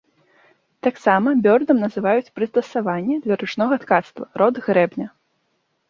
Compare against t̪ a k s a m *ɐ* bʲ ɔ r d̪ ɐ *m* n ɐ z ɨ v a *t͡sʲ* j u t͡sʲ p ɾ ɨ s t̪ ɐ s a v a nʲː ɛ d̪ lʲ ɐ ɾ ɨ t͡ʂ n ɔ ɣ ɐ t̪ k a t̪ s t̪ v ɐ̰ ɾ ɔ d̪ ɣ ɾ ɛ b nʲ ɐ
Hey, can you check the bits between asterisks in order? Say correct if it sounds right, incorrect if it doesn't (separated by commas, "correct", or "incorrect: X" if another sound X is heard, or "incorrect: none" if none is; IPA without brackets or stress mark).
correct, correct, incorrect: none